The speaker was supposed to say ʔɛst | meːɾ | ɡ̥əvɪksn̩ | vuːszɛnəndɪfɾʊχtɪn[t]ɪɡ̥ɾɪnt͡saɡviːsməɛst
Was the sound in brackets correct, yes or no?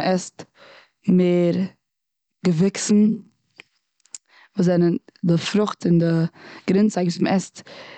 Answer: no